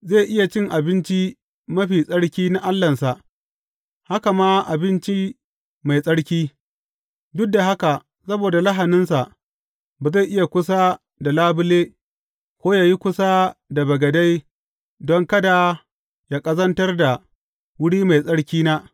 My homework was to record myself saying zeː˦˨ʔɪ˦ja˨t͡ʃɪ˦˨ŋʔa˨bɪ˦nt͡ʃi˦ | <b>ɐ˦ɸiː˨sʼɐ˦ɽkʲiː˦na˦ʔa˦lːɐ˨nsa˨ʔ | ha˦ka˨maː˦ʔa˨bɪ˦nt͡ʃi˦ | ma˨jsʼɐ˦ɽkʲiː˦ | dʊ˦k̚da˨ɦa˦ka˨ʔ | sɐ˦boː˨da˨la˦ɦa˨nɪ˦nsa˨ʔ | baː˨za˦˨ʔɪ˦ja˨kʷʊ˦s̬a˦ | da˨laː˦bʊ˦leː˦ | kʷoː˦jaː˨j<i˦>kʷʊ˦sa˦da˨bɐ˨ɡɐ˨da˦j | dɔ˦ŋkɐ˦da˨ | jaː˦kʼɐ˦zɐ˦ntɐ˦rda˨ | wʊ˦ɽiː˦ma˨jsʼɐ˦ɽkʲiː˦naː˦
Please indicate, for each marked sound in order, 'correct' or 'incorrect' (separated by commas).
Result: incorrect, correct